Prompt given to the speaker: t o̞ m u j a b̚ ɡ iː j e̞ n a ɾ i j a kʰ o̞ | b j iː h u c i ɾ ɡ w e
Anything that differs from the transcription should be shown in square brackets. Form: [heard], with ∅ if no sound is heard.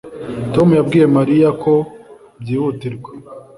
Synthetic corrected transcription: t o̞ m u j a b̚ ɡ iː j e̞ [m] a ɾ i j a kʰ o̞ | b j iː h u [t] i ɾ ɡ w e